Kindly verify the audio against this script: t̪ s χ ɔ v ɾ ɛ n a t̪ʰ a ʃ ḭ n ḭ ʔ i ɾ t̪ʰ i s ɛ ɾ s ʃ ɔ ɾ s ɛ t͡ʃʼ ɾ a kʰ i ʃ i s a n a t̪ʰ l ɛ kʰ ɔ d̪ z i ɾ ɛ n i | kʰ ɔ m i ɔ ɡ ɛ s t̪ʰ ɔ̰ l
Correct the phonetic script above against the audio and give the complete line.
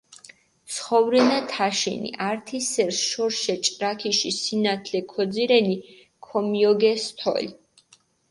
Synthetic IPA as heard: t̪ s χ ɔ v ɾ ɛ n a t̪ʰ a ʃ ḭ n ḭ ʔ a ɾ t̪ʰ i s ɛ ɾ s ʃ ɔ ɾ ʃ ɛ t͡ʃʼ ɾ a kʰ i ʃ i s i n a t̪ʰ l ɛ kʰ ɔ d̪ z i ɾ ɛ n i | kʰ ɔ m i ɔ ɡ ɛ s t̪ʰ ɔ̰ l

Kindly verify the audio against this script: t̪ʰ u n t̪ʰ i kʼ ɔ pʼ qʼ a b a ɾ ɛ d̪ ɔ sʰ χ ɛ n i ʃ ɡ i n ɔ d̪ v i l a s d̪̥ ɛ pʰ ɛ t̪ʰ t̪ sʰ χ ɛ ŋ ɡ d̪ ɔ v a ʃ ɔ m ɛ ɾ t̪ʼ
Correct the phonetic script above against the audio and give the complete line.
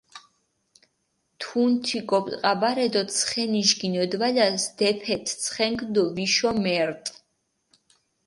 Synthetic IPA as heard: t̪ʰ u n t̪ʰ i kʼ ɔ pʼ qʼ a b a ɾ ɛ d̪ ɔ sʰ χ ɛ n i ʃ ɡ i n ɔ d̪ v a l a s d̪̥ ɛ pʰ ɛ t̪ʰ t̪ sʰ χ ɛ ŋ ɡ d̪ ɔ v i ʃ ɔ m ɛ ɾ t̪ʼ

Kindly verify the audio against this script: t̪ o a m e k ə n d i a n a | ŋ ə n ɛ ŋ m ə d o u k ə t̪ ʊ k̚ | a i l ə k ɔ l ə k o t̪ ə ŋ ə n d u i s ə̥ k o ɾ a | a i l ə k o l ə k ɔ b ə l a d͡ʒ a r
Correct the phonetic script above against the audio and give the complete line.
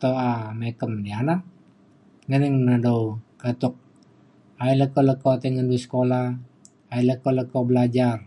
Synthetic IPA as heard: t̪ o a m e k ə m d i a n a | ŋ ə n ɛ ŋ n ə d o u k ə t̪ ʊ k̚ | a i l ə k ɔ l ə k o t̪ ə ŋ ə n d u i s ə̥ k o l a | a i l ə k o l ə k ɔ b ə l a d͡ʒ a r

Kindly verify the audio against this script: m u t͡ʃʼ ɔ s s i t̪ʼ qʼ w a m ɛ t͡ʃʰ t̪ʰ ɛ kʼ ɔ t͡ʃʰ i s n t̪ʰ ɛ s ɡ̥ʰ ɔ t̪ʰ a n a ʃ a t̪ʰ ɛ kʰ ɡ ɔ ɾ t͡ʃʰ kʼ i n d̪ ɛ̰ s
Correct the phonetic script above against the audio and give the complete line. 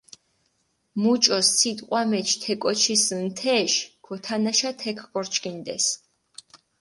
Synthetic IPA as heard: m u t͡ʃʼ ɔ s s i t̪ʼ qʼ w a m ɛ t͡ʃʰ t̪ʰ ɛ kʼ ɔ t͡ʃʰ i s n t̪ʰ ɛ ʃ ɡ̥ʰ ɔ t̪ʰ a n a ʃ a t̪ʰ ɛ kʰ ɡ ɔ ɾ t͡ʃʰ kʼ i n d̪ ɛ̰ s

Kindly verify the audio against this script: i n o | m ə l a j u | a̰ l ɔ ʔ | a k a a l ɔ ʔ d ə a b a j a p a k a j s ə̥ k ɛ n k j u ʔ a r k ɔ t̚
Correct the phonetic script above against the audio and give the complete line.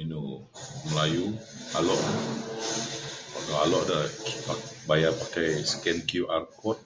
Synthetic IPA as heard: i n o | m ə l a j u | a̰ l ɔ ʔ | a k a a l ɔ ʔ d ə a b a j a p a k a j s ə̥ k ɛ n k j u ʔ a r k ɔ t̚

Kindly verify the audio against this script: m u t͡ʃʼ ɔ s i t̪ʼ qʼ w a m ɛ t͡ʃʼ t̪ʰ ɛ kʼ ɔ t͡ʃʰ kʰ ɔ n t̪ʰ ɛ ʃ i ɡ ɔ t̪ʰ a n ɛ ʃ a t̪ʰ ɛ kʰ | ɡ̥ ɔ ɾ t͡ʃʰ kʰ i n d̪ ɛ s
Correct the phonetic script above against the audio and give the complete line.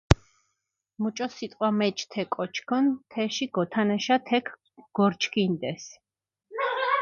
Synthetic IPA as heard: m u t͡ʃʼ ɔ s i t̪ʼ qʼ w a m ɛ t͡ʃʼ t̪ʰ ɛ kʼ ɔ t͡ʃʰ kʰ ɔ n t̪ʰ ɛ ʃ i ɡ ɔ t̪ʰ a n ɛ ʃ a t̪ʰ ɛ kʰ | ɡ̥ ɔ ɾ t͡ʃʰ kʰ i n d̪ ɛ s

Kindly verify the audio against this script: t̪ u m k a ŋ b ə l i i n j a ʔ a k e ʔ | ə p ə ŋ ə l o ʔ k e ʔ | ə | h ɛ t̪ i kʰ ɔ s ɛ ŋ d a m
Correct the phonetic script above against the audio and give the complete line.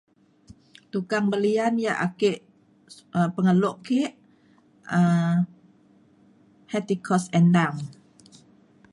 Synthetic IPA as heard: t̪ u k a ŋ b ə l i a n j a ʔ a k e ʔ | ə p ə ŋ ə l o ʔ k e ʔ | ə | h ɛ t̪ i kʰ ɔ s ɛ n d a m

